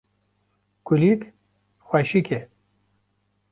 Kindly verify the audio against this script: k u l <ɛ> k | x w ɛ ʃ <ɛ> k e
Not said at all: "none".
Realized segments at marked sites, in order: i, i

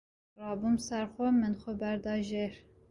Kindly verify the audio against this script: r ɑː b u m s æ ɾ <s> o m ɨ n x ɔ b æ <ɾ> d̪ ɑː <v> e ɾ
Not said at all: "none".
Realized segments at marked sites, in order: x, ɾ, ʒ

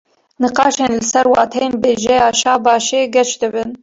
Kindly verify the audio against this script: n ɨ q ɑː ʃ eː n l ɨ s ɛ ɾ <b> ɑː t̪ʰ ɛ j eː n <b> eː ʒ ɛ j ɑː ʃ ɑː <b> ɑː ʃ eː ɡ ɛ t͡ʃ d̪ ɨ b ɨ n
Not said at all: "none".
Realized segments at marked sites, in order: w, b, b

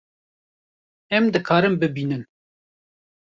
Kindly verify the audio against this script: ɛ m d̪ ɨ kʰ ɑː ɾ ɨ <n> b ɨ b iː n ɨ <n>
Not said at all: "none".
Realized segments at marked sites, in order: m, n

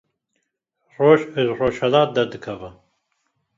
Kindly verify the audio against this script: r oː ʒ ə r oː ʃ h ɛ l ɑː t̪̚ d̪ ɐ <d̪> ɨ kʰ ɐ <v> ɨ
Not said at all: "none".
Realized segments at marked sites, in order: d̪, v

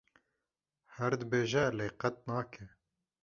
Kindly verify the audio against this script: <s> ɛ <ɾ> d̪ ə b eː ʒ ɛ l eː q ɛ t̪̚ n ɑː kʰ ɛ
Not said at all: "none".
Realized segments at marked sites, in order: h, ɾ

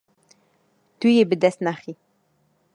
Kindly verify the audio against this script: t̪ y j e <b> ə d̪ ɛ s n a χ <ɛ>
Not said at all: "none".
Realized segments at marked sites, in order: b, i

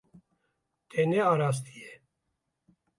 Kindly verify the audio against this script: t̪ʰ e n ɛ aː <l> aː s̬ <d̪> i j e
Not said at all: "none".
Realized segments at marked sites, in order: ɾ, t̪

